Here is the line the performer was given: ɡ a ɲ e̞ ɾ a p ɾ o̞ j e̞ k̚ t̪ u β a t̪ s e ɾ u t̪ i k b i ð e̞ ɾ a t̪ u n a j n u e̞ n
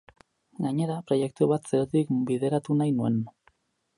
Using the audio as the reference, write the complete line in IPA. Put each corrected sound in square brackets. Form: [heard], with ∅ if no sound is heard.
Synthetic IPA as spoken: ɡ a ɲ e̞ ɾ a p ɾ o̞ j e̞ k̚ t̪ u β a t̪ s e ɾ [o] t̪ i k b i ð e̞ ɾ a t̪ u n a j n u e̞ n